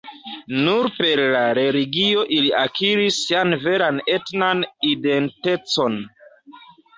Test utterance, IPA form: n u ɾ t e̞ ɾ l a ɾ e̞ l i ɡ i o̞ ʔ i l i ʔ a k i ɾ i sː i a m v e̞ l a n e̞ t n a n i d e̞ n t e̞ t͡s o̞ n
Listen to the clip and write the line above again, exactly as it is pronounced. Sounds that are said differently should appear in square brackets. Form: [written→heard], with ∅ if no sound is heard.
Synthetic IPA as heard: n u ɾ [t→p] e̞ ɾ l a ɾ e̞ l i ɡ i o̞ ʔ i l i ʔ a k i ɾ i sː i a [m→n] v e̞ [l→ɾ] a n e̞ t n a n i d e̞ n t e̞ t͡s o̞ n